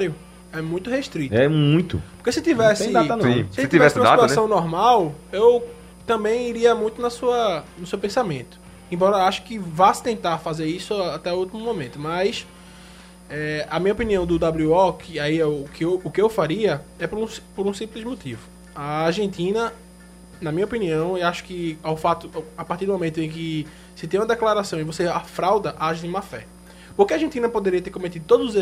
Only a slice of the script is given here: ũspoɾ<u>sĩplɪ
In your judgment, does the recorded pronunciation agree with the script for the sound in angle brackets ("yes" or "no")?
no